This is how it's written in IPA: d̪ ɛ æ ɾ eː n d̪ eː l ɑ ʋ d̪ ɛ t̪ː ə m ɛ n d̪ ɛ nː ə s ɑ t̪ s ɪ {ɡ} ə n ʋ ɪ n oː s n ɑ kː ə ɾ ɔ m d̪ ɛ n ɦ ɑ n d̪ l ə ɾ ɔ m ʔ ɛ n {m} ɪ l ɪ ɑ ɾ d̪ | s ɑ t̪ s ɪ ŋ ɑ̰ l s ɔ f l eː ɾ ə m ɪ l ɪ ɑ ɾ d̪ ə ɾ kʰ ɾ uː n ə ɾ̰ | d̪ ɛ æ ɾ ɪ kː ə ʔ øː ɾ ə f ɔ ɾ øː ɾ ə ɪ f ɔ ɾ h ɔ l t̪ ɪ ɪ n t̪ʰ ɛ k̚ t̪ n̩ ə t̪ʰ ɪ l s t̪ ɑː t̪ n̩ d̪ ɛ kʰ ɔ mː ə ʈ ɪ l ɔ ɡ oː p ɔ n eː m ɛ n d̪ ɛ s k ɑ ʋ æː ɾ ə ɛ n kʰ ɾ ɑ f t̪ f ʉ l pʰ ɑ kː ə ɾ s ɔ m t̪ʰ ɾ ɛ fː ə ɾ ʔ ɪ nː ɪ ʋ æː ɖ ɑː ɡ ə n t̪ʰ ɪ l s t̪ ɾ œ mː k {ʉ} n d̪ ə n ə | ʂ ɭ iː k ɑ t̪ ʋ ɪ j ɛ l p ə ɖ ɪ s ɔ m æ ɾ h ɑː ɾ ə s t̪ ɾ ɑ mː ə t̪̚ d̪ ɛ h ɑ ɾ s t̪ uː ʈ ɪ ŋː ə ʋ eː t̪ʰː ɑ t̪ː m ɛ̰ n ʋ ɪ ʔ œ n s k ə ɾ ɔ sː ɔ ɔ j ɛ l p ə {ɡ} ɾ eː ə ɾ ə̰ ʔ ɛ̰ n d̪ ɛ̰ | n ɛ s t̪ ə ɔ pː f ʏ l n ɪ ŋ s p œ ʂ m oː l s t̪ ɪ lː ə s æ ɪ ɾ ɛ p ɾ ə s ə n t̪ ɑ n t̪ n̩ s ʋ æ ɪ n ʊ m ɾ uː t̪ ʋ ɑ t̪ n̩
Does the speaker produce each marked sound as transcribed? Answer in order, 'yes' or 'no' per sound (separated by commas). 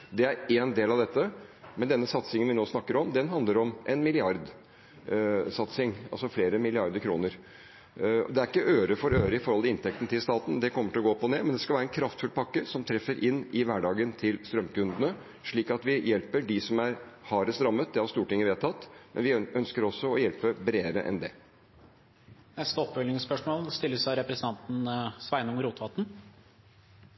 no, yes, yes, no